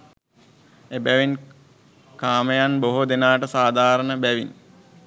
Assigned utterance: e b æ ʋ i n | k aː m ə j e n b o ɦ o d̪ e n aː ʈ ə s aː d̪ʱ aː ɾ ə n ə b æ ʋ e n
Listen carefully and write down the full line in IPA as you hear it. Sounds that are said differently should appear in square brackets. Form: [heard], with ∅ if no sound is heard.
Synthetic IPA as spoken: e b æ ʋ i n | k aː m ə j [a] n b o ɦ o d̪ e n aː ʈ ə s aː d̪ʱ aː ɾ ə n ə b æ ʋ [i] n